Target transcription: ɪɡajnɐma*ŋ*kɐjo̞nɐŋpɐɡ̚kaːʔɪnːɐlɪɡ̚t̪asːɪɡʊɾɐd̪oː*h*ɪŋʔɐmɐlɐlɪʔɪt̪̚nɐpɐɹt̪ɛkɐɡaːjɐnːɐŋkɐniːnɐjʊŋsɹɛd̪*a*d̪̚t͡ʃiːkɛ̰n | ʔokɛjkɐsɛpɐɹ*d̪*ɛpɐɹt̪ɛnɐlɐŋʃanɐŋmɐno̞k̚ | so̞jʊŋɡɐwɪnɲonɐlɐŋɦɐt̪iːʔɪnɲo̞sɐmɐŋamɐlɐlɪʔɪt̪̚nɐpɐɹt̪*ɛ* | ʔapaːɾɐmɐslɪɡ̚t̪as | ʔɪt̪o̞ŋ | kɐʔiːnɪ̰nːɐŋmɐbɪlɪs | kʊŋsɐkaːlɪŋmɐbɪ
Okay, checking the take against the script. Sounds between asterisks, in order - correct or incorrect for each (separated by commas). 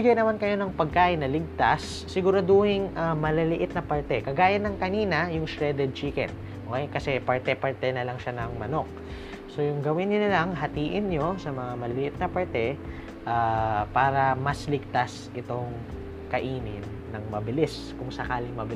incorrect, correct, incorrect, incorrect, correct